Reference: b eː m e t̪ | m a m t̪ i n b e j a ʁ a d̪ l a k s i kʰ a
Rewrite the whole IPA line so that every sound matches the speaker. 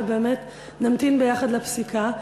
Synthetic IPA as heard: b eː m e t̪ | n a m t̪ i n b e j a χ a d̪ l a p s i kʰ a